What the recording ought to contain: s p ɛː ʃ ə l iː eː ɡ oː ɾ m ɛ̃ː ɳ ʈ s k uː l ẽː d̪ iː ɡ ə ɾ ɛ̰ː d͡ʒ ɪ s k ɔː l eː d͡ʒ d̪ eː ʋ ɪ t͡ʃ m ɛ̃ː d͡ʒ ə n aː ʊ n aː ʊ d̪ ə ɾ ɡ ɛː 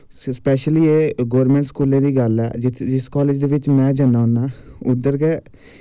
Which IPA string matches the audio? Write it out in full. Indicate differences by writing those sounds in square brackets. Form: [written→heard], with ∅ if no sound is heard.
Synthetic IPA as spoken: s p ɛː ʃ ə l iː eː ɡ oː ɾ m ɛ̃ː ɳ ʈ s k uː l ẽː d̪ iː ɡ ə [ɾ→l] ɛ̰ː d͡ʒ ɪ s k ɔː l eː d͡ʒ d̪ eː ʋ ɪ t͡ʃ m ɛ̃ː d͡ʒ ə n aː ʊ n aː ʊ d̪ ə ɾ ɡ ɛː